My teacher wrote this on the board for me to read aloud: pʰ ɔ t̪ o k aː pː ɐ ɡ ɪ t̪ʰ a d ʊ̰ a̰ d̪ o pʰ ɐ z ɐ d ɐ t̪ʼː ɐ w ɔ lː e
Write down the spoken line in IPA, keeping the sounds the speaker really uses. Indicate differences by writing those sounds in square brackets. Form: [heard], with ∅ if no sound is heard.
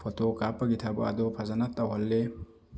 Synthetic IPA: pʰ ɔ t̪ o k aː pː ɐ ɡ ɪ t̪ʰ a [b] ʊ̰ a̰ d̪ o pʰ ɐ z ɐ [n] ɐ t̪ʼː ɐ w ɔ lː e